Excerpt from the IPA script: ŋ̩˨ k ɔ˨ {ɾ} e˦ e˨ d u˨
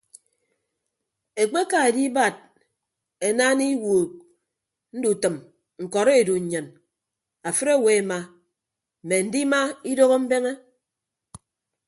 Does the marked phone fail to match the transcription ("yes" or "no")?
no